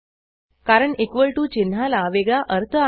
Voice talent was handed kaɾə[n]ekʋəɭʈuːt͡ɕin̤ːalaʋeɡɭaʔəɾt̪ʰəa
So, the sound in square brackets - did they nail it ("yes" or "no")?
no